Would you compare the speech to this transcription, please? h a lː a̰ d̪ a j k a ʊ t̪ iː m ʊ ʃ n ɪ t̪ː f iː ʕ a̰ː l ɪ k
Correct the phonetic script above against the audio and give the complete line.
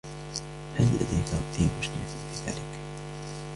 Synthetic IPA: h a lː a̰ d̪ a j k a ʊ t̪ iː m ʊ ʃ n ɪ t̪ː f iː ð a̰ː l ɪ k